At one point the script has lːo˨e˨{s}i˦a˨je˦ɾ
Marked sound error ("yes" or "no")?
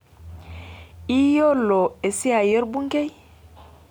no